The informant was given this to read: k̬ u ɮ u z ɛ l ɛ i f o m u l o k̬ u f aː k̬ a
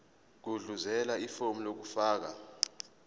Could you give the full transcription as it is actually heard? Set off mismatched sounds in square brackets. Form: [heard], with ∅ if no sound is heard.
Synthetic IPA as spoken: k̬ u ɮ u z ɛ l [a] i f o m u l o k̬ u f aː k̬ a